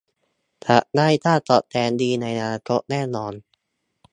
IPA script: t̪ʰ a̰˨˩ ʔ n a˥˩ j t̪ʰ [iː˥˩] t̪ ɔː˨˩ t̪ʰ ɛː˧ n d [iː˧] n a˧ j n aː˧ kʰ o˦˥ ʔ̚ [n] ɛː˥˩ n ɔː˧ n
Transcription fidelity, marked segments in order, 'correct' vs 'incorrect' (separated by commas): incorrect, correct, correct